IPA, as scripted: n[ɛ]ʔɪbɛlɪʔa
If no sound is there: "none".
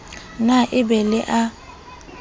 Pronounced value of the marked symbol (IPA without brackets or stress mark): a